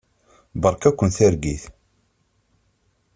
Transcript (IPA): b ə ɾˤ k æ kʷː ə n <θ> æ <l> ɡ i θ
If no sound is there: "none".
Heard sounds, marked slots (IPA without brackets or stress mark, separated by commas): θ, ɾ